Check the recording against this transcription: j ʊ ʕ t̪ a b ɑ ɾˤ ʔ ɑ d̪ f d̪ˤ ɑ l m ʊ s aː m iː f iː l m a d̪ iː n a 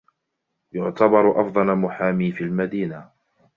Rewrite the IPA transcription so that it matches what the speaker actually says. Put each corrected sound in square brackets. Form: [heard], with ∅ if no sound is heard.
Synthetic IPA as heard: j ʊ ʕ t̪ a b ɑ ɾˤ ʔ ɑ [∅] f d̪ˤ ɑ l m ʊ [ħ] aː m iː f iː l m a d̪ iː n a